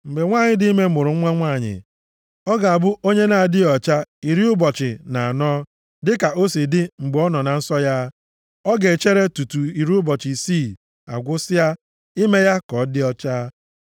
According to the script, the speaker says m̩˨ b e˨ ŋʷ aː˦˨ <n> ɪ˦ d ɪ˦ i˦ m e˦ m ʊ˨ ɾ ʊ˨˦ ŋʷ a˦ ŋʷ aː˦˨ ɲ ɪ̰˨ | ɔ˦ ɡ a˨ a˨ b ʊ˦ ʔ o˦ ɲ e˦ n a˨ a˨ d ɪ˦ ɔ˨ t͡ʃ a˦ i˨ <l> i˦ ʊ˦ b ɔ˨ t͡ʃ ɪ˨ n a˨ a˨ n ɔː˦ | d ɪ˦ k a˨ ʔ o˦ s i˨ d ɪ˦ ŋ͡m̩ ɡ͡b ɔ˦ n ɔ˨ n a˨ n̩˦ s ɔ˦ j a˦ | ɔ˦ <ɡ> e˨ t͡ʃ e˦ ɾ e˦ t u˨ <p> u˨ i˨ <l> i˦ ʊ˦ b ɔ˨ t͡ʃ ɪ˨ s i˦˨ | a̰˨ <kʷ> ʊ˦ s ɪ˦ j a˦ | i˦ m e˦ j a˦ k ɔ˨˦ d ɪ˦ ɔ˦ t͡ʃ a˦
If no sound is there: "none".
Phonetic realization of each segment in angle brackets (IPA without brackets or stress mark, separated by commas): ɲ, ɾ, ɡ, t, ɾ, ɡʷ